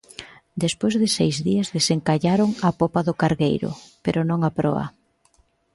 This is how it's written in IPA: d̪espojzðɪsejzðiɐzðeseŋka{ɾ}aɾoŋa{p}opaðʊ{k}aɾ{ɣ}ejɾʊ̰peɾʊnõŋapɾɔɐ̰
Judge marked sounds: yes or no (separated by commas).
no, yes, yes, yes